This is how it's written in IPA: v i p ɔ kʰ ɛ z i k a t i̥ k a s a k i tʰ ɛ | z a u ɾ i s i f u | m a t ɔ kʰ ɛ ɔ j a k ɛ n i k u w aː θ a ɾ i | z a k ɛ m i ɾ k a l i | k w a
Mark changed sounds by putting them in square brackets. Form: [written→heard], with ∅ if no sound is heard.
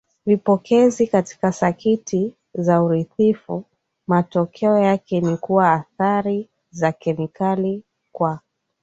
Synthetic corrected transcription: v i p ɔ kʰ ɛ z i k a t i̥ k a s a k i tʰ [ɛ→i] | z a u ɾ i [s→θ] i f u | m a t ɔ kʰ ɛ ɔ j a k ɛ n i k u w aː θ a ɾ i | z a k ɛ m i [ɾ→∅] k a l i | k w a

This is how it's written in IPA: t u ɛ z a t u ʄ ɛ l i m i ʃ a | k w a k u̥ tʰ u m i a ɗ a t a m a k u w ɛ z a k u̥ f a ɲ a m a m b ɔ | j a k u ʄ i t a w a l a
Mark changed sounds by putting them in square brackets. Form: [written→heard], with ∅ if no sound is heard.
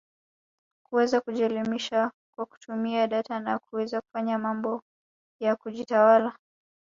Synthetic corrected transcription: [t→k] u ɛ z a [t→k] u ʄ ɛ l i m i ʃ a | k w a k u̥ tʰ u m i a ɗ a t a [m→n] a k u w ɛ z a k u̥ f a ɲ a m a m b ɔ | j a k u ʄ i t a w a l a

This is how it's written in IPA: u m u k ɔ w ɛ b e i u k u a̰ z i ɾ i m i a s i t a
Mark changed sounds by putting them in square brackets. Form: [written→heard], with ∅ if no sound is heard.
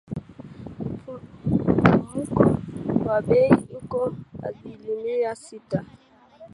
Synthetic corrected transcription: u m u k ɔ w [ɛ→a] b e i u k [u→ɔ] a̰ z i [ɾ→l] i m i a s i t a

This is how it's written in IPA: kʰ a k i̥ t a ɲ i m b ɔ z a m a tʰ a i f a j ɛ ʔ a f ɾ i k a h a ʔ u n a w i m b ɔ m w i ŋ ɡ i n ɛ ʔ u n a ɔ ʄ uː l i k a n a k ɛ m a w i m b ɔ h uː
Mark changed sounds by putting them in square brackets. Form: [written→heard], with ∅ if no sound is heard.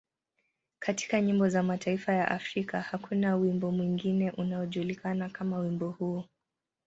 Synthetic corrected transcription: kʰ a [k→t] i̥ [t→k] a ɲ i m b ɔ z a m a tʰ a i f a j [ɛ→a] ʔ a f ɾ i k a h a [ʔ→k] u n a w i m b ɔ m w i ŋ ɡ i n ɛ ʔ u n a ɔ ʄ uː l i k a n a k [ɛ→a] m a w i m b ɔ h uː

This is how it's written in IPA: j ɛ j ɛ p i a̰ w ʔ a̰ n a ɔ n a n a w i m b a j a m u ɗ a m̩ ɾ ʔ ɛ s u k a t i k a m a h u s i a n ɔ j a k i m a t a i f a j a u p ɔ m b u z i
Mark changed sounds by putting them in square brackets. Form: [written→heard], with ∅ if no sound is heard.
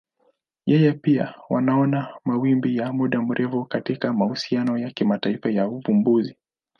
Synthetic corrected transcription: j ɛ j ɛ p i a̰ w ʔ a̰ n a ɔ n a [n→m] a w i m b [a→i] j a m u ɗ a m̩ ɾ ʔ ɛ [s→f] u k a t i k a m a h u s i a n ɔ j a k i m a t a i f a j a u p [ɔ→u] m b u z i

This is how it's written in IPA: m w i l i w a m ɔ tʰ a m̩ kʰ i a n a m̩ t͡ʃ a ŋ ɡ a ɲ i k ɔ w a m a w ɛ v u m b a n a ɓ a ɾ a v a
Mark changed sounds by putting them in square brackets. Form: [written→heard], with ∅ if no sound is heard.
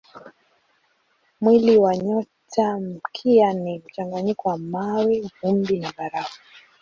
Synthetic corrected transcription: m w i l i w a [m→ɲ] ɔ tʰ a m̩ kʰ i a n [a→i] m̩ t͡ʃ a ŋ ɡ a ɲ i k ɔ w a m a w ɛ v u m b [a→i] n a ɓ a ɾ a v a

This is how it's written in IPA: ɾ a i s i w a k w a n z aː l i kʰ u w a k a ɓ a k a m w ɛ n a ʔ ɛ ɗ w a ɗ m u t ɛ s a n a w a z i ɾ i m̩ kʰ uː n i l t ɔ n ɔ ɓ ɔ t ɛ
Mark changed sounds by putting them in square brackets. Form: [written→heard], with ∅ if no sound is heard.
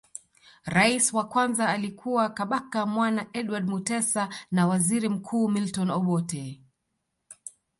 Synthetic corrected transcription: ɾ a i s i w a k w a n z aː l i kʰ u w a k a ɓ a k a m w [ɛ→a] n a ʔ ɛ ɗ w a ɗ m u t ɛ s a n a w a z i ɾ i m̩ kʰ uː [n→m] i l t ɔ n ɔ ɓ ɔ t ɛ

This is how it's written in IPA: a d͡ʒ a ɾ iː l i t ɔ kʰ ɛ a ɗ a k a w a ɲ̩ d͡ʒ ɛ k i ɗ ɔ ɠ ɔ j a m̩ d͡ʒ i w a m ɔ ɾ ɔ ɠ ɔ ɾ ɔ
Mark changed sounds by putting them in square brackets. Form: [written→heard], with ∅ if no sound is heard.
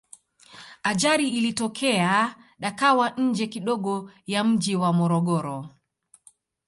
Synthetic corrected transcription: a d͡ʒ a ɾ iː l i t ɔ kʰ ɛ a ɗ a k a w a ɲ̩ d͡ʒ ɛ k i ɗ ɔ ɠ ɔ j a m̩ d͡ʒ i w a m ɔ ɾ ɔ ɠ ɔ ɾ ɔ

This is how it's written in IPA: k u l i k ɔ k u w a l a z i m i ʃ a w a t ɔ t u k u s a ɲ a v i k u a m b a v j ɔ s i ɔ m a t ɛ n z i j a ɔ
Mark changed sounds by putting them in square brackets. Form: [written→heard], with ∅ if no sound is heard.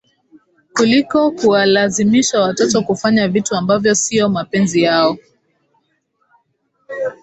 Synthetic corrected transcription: k u l i k ɔ k u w a l a z i m i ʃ a w a t ɔ t [u→ɔ] k u [s→f] a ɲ a v i [k→t] u a m b a v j ɔ s i ɔ m a [t→p] ɛ n z i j a ɔ

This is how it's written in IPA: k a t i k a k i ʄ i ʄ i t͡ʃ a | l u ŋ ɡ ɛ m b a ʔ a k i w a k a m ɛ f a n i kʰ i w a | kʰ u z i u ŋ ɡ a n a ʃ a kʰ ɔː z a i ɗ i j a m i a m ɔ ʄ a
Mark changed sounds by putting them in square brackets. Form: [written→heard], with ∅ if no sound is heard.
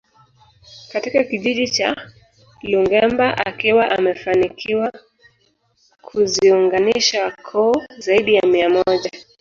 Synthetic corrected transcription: k a t i k a k i ʄ i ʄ i t͡ʃ a | l u ŋ ɡ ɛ m b a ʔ a k i w a [k→ʔ] a m ɛ f a n i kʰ i w a | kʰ u z i u ŋ ɡ a n [a→i] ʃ a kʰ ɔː z a i ɗ i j a m i a m ɔ ʄ a

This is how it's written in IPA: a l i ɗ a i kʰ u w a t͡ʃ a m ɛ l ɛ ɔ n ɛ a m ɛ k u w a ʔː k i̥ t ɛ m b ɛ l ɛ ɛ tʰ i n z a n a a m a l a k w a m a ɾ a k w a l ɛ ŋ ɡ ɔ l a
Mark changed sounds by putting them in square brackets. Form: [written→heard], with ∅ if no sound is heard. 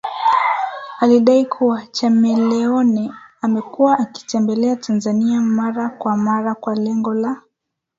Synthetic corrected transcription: a l i ɗ a i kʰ u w a t͡ʃ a m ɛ l ɛ ɔ n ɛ a m ɛ k u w a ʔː k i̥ t ɛ m b ɛ l ɛ [ɛ→a] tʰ [i→a] n z a n [a→i] a m a [l→ɾ] a k w a m a ɾ a k w a l ɛ ŋ ɡ ɔ l a

